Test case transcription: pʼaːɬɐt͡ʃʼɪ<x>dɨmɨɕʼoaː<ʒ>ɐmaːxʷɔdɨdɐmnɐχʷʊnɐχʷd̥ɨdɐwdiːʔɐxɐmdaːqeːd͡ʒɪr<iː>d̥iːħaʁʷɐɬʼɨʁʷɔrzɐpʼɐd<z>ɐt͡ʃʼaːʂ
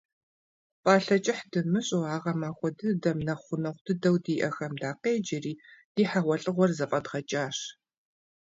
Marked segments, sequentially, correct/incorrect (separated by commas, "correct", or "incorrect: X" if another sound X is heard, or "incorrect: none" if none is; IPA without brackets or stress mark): incorrect: ħ, incorrect: ʁ, correct, incorrect: ʁ